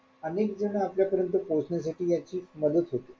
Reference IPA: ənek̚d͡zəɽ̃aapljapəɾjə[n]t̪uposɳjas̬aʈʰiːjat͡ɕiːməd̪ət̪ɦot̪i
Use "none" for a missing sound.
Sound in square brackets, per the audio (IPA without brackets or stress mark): n